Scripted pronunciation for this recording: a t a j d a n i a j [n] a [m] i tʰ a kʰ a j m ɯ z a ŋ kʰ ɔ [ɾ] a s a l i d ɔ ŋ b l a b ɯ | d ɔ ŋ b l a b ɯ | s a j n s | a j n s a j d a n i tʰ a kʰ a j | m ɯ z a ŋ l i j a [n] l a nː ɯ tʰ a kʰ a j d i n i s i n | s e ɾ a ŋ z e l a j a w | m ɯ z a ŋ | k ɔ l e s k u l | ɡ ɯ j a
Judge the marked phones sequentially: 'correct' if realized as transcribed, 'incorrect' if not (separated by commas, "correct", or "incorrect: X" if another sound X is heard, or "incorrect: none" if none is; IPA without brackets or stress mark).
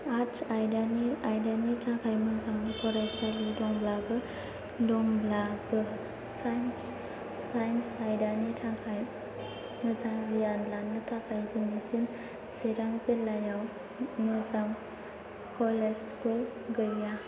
incorrect: d, incorrect: n, correct, correct